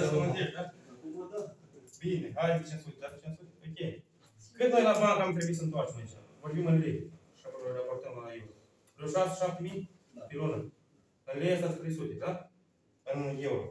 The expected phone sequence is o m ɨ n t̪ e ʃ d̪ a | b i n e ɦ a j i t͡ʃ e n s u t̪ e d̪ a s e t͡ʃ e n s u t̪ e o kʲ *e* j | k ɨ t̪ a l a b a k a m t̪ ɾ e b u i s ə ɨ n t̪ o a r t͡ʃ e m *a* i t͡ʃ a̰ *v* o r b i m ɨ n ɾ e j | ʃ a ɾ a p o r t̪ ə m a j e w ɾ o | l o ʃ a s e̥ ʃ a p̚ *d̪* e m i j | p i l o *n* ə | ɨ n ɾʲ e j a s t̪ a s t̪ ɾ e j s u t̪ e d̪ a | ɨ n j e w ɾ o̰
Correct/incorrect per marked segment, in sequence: correct, correct, correct, incorrect, correct

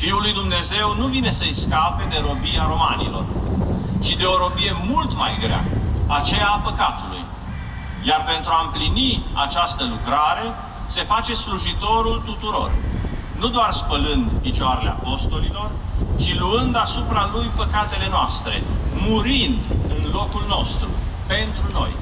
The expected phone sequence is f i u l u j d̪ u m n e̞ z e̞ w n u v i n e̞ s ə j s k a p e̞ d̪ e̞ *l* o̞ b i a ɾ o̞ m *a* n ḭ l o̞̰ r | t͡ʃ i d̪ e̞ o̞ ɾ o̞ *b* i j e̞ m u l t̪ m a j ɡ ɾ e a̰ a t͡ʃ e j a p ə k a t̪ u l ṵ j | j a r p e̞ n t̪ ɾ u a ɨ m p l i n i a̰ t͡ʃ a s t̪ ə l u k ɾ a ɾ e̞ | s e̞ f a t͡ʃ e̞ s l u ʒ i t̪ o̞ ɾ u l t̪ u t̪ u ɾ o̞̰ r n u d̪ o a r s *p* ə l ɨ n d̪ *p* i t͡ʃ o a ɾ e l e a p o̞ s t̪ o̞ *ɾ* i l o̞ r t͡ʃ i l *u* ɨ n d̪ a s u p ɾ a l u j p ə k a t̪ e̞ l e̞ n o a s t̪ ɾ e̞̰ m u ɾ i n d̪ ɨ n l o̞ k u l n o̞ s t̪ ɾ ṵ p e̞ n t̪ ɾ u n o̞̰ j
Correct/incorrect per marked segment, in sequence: incorrect, correct, correct, correct, correct, incorrect, correct

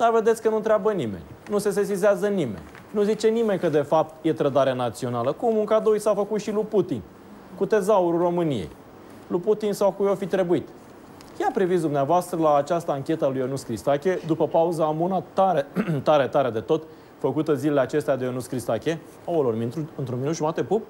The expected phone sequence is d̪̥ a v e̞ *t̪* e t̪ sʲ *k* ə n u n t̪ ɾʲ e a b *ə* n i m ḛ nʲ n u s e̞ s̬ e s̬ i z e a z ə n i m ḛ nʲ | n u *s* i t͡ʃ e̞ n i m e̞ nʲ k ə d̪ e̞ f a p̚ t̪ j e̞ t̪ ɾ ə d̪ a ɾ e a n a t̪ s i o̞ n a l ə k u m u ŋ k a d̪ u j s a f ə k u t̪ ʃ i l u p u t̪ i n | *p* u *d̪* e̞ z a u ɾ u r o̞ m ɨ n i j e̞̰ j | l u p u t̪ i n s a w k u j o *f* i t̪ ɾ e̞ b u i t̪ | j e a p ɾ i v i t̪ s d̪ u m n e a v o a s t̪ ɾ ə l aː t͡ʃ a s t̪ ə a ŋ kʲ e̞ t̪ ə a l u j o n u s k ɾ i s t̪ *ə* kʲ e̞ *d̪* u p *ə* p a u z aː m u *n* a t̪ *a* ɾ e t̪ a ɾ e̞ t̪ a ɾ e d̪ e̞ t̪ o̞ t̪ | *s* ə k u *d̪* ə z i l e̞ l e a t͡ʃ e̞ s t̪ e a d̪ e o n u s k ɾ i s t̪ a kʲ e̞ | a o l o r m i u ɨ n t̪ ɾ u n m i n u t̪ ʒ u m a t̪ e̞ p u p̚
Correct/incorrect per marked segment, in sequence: incorrect, correct, correct, incorrect, incorrect, incorrect, correct, incorrect, correct, correct, correct, correct, incorrect, incorrect

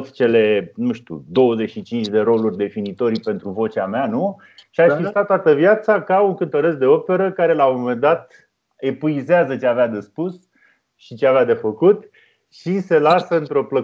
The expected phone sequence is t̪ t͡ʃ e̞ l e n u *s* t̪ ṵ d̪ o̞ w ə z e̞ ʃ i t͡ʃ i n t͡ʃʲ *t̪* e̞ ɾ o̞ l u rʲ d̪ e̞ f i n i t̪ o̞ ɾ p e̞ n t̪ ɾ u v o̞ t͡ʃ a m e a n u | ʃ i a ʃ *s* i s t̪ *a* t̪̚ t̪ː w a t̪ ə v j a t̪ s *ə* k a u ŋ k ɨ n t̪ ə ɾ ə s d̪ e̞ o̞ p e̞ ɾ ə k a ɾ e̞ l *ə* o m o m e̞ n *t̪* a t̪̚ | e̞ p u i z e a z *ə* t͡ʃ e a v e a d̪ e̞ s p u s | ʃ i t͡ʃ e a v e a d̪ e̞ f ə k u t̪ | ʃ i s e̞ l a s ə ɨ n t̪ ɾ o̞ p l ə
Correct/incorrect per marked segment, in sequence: incorrect, incorrect, incorrect, correct, incorrect, incorrect, incorrect, correct

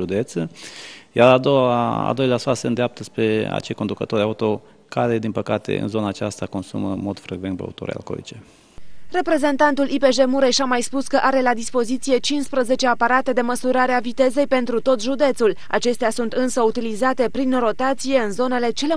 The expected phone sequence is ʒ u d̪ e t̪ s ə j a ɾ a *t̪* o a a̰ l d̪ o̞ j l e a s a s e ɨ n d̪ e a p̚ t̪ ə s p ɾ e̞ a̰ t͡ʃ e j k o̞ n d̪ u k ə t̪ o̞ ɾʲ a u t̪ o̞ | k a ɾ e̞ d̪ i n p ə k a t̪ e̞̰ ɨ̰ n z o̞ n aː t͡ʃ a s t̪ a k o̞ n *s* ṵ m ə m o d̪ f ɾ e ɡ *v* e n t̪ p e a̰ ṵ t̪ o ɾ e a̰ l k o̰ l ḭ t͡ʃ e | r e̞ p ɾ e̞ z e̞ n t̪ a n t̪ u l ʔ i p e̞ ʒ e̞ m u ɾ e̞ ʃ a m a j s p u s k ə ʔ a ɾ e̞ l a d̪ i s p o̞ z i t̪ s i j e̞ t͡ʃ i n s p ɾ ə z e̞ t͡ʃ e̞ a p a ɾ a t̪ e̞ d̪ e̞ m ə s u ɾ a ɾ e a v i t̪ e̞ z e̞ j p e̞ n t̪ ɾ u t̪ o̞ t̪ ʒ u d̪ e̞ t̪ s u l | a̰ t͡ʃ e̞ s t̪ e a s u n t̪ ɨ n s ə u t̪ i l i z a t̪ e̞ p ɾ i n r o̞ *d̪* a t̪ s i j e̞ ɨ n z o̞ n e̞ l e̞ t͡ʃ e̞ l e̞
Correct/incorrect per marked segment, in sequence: incorrect, correct, correct, incorrect

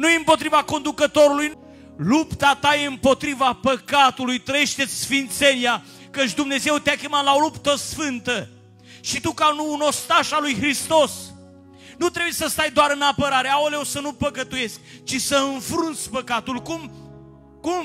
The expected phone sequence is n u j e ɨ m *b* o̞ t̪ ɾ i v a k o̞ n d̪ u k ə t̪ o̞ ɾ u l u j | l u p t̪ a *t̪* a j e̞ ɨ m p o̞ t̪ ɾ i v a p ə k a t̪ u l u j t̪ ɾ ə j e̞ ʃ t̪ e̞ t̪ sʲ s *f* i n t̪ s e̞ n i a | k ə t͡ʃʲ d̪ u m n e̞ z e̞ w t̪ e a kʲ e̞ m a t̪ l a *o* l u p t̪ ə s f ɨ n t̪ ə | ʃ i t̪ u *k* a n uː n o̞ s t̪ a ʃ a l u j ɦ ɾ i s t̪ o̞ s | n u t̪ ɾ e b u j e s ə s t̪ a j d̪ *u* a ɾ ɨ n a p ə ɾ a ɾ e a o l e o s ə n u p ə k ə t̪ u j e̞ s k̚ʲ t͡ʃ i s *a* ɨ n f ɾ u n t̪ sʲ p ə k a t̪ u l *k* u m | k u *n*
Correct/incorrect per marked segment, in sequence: incorrect, correct, correct, correct, correct, incorrect, incorrect, correct, incorrect

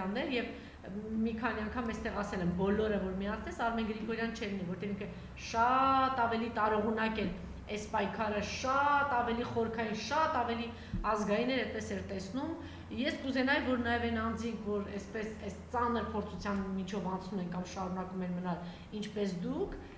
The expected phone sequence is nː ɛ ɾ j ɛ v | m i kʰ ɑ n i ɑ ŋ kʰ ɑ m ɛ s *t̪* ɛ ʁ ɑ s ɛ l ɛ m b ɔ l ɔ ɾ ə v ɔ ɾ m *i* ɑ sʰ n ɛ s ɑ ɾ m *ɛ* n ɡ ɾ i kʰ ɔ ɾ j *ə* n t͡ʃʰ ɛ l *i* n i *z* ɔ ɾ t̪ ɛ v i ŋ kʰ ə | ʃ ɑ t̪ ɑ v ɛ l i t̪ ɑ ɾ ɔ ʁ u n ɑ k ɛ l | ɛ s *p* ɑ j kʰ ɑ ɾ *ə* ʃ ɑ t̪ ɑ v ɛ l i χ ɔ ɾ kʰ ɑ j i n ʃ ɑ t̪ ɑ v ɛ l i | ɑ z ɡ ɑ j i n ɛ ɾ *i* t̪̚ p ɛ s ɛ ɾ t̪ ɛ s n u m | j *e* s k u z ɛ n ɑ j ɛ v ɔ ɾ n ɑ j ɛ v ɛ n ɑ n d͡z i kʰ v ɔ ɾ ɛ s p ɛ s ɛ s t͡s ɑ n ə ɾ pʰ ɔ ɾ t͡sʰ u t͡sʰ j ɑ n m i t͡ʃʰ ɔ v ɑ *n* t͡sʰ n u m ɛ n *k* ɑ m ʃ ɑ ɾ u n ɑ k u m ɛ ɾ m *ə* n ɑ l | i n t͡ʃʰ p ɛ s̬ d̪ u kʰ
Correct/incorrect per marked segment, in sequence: correct, correct, correct, incorrect, correct, incorrect, correct, correct, incorrect, incorrect, correct, correct, correct

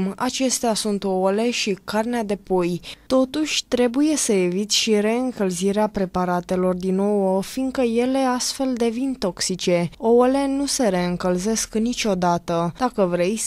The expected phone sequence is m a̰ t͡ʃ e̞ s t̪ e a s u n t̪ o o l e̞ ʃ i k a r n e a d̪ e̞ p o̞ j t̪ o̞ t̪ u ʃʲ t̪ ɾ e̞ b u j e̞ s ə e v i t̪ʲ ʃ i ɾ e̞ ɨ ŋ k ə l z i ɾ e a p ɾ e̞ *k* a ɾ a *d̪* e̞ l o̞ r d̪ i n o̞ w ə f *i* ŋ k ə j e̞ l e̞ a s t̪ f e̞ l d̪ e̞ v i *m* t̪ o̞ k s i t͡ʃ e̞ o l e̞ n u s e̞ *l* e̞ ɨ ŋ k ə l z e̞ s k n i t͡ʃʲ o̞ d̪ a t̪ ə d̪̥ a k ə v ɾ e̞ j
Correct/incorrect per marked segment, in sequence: incorrect, incorrect, correct, incorrect, incorrect

